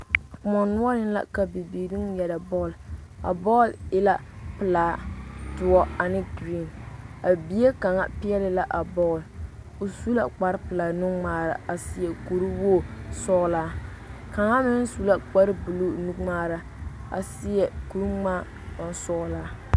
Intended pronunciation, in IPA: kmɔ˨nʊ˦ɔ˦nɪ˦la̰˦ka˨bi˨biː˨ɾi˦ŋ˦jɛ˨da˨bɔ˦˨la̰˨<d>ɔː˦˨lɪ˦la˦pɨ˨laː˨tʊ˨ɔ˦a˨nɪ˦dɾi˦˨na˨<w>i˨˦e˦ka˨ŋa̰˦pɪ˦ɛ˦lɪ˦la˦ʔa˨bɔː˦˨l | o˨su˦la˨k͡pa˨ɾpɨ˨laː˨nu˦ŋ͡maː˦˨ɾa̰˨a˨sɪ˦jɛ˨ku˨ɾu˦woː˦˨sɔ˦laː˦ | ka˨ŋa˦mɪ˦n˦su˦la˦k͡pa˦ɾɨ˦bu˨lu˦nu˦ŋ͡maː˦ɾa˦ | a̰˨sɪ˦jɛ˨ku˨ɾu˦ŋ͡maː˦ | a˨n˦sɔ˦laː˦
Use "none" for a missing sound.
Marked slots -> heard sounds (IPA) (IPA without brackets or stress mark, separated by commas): b, b